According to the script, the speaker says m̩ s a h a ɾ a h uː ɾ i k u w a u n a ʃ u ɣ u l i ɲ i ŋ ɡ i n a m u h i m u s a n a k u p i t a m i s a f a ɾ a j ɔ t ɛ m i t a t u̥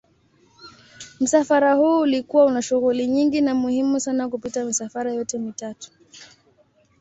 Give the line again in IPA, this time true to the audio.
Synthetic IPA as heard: m̩ s a f a ɾ a h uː l i k u w a u n a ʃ u ɣ u l i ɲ i ŋ ɡ i n a m u h i m u s a n a k u p i t a m i s a f a ɾ a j ɔ t ɛ m i t a t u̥